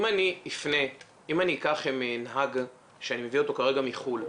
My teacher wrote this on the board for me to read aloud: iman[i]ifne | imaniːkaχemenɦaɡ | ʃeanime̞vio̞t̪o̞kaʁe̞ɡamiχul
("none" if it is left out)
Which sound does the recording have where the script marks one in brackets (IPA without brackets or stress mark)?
i